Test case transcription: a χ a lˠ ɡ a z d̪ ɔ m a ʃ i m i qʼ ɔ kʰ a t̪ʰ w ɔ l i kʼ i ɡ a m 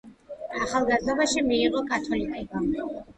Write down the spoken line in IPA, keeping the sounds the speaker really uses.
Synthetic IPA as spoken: a χ a lˠ ɡ a z d̪ ɔ b a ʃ i m iː qʼ ɔ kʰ a t̪ʰ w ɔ l i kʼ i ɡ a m